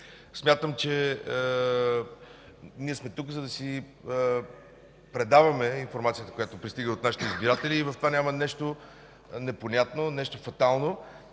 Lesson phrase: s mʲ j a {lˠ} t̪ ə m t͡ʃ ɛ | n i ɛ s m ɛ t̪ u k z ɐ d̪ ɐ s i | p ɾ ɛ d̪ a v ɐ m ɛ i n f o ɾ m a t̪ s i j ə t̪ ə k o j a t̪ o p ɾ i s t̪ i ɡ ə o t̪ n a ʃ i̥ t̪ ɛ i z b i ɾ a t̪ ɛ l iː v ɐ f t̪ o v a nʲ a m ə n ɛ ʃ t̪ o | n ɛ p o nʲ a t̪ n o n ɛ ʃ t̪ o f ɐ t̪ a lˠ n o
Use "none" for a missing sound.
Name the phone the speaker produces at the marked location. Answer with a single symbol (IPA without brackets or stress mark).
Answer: none